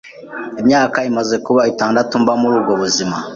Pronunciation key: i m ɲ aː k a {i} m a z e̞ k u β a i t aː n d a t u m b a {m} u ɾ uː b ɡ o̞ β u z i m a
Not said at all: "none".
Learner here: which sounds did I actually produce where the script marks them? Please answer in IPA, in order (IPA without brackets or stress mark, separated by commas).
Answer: i, m